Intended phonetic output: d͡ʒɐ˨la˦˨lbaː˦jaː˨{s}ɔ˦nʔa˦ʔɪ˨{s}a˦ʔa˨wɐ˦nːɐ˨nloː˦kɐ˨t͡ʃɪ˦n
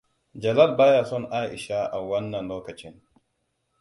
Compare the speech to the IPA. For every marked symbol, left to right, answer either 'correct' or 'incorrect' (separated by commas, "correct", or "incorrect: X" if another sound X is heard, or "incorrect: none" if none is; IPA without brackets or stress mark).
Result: correct, incorrect: ʃ